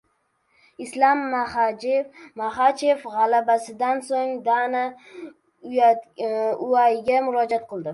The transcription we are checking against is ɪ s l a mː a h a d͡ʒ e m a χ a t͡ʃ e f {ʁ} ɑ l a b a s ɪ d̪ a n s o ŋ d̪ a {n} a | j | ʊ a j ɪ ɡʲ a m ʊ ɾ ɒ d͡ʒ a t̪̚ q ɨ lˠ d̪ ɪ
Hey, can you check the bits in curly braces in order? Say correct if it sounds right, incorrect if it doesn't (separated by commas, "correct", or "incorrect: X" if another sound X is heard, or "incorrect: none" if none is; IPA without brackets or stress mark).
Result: correct, correct